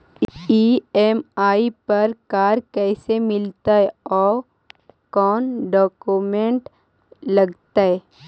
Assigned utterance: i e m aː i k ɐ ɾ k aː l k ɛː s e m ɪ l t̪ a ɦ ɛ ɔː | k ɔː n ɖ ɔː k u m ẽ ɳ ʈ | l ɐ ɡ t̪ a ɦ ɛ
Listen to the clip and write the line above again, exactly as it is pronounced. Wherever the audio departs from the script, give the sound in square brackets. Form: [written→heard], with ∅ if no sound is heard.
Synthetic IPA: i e m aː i [k→p] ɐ ɾ k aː [l→ɾ] k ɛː s e m ɪ l t̪ a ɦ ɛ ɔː | k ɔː n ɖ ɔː k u m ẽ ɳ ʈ | l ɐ ɡ t̪ a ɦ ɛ